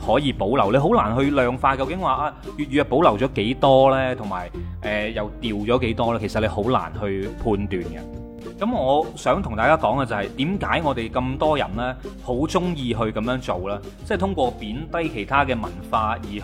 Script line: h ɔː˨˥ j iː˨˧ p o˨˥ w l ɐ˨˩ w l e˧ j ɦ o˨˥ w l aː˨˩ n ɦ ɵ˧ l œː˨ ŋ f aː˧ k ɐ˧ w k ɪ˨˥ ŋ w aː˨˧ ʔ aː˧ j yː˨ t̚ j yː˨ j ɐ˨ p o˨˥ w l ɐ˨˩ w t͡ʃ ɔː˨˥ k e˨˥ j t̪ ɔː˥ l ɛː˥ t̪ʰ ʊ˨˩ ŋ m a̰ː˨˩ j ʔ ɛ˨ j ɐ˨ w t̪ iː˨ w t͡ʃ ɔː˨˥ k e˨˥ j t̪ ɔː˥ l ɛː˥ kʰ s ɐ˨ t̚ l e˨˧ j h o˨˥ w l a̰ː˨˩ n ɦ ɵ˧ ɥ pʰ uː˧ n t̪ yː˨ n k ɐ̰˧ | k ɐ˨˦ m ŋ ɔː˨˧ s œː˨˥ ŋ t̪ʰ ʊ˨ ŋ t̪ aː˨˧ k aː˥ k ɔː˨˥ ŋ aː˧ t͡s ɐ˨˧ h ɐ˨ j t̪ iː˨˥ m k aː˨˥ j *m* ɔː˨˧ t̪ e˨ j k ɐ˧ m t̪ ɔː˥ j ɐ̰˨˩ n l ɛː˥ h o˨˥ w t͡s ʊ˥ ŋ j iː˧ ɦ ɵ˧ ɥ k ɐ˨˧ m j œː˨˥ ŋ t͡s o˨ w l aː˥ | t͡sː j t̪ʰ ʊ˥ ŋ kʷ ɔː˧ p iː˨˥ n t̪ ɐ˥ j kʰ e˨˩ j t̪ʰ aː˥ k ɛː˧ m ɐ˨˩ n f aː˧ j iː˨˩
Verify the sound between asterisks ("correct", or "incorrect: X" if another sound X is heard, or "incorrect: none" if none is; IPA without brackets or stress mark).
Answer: incorrect: ŋ